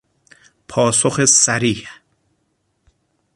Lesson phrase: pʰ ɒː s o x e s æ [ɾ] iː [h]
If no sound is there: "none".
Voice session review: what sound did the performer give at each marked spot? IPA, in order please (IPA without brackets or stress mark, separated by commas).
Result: ɾ, h